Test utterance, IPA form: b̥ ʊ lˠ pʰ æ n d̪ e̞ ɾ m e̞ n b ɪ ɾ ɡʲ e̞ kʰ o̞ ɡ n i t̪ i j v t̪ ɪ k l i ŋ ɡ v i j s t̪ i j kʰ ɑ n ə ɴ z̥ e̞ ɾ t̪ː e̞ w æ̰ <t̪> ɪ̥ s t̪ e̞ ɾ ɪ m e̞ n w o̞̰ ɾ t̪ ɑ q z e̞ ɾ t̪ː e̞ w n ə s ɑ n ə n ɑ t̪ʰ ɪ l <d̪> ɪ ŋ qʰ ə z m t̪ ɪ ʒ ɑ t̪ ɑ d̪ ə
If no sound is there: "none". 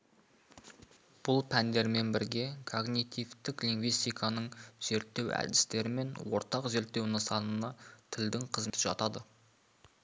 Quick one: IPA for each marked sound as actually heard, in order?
d̪, d̪

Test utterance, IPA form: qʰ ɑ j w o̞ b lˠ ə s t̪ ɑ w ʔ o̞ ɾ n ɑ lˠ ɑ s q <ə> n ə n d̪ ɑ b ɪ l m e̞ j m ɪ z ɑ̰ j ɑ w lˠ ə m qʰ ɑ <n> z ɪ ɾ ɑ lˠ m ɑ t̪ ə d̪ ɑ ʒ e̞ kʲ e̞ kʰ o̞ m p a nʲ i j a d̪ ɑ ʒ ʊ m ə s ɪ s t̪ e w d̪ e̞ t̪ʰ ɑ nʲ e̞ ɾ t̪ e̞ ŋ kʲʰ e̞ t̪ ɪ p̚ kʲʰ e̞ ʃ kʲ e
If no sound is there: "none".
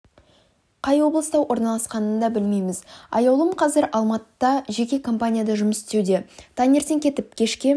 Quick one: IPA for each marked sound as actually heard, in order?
ɑ, none

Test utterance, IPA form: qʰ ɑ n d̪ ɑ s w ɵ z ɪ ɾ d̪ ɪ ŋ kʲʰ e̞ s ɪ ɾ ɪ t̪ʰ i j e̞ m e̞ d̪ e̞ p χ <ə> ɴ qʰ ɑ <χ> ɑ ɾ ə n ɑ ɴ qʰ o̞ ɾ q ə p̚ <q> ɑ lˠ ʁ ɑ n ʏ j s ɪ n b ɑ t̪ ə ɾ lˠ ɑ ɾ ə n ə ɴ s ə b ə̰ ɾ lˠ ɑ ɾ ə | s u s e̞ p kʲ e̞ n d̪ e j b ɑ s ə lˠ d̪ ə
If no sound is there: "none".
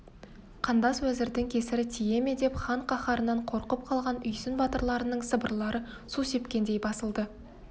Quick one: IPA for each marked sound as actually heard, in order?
ɑ, χ, qʰ

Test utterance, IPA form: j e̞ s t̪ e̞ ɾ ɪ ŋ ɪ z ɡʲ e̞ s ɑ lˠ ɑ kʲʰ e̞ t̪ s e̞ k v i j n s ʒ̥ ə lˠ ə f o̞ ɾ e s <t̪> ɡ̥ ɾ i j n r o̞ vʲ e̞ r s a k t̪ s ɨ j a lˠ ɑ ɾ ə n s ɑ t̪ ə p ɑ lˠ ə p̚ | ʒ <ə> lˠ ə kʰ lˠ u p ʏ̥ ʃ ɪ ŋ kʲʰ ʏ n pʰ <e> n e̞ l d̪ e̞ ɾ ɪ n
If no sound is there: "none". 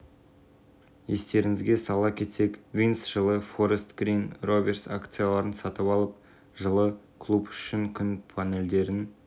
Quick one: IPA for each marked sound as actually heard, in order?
t̪, ə, a

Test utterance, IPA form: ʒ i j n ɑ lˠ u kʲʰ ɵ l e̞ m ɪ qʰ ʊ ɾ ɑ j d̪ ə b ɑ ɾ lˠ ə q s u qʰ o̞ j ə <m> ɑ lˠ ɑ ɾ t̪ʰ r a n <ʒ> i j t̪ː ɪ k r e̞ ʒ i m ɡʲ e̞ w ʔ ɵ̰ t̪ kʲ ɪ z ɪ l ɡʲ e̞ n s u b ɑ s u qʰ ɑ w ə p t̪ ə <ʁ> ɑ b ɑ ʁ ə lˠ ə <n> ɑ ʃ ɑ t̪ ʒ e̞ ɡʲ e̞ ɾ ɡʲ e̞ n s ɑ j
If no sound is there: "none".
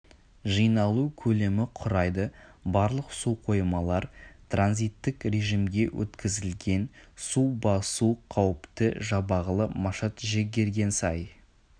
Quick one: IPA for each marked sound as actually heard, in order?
m, z, ʒ, m

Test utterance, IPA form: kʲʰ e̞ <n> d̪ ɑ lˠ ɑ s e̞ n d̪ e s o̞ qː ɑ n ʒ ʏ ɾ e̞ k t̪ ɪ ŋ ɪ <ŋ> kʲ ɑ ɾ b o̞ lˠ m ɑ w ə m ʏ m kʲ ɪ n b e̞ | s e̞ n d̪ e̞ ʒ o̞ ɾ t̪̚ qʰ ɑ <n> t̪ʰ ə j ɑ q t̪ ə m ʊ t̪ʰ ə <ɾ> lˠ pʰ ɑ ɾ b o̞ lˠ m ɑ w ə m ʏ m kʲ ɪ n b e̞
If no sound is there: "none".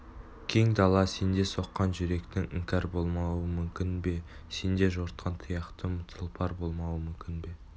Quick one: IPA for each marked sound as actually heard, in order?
ŋ, ŋ, n, none

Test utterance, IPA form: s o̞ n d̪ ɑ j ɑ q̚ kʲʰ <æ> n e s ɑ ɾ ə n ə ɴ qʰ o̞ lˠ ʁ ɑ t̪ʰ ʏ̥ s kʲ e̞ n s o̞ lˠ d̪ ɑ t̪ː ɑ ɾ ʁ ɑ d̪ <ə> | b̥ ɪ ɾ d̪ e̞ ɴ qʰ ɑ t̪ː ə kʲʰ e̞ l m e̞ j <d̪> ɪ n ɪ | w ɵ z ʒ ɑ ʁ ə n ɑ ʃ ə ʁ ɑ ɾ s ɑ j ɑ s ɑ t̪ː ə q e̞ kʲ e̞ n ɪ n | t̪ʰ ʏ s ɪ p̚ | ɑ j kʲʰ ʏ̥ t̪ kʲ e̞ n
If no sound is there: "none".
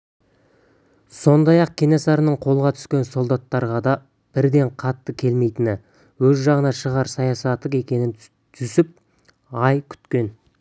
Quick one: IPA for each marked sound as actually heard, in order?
e, ɑ, t̪

